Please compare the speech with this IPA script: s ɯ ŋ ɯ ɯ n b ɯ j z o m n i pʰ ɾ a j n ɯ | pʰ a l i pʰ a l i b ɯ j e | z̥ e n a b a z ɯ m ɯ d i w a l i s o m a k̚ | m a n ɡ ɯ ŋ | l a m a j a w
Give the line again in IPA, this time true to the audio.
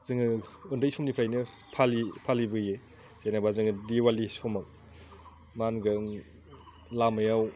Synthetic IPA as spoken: z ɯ ŋ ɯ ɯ n d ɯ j s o m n i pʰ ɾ a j n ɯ | pʰ a l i pʰ a l i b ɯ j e | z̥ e n a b a z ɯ ŋ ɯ d i w a l i s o m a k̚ | m a n ɡ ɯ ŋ | l a m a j a w